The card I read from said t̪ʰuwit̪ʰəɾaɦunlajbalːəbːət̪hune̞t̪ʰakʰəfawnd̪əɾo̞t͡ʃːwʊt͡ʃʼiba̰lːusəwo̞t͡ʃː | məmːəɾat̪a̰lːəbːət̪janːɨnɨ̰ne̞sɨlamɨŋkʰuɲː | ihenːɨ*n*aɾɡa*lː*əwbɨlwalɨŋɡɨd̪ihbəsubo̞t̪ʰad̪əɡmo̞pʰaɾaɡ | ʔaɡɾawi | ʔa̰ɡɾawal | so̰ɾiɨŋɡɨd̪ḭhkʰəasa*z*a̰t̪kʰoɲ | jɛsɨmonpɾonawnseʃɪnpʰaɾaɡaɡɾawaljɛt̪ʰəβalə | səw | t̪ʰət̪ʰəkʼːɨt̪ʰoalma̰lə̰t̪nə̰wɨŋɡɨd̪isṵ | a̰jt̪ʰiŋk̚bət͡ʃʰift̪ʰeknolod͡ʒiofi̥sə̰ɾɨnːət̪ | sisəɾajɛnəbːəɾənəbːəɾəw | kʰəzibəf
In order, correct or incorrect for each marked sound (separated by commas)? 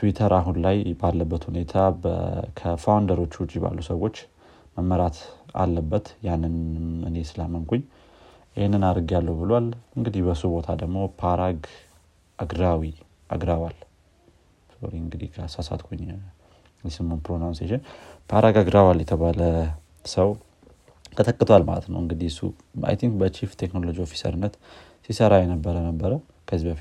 correct, correct, incorrect